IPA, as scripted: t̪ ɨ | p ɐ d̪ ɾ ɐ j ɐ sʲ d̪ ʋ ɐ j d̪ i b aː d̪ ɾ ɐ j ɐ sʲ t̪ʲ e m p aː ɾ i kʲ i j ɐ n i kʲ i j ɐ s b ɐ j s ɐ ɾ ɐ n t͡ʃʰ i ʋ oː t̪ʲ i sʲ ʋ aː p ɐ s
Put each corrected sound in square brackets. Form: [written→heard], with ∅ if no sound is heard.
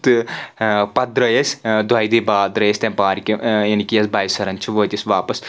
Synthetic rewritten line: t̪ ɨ | p ɐ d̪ ɾ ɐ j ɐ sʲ d̪ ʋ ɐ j d̪ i b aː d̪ ɾ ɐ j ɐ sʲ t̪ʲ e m p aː ɾ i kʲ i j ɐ n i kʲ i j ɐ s b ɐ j s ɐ ɾ ɐ n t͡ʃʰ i ʋ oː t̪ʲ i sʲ ʋ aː p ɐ s